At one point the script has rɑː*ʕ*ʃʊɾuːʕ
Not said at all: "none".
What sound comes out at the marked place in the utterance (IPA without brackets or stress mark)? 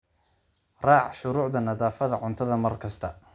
ʕ